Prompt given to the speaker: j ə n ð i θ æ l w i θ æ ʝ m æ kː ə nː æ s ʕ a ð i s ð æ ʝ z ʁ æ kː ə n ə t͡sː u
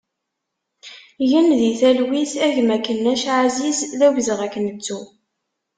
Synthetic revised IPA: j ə n ð i θ æ l w i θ æ ʝ m æ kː ə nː æ ʃ ʕ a z i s ð æ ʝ z ʁ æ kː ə n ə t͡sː u